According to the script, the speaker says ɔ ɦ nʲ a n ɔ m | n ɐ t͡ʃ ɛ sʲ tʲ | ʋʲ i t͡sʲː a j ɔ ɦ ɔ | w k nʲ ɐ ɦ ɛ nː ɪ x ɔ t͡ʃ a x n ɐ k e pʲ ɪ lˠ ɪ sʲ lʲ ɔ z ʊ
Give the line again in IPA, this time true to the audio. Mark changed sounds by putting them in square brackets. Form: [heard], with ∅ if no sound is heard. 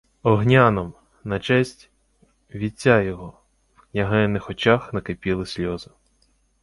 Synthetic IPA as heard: ɔ ɦ nʲ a n ɔ m | n ɐ t͡ʃ ɛ sʲ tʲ | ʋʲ i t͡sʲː a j ɔ ɦ ɔ | w k nʲ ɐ ɦ ɛ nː ɪ x ɔ t͡ʃ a x n ɐ k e pʲ [i] lˠ ɪ sʲ lʲ ɔ z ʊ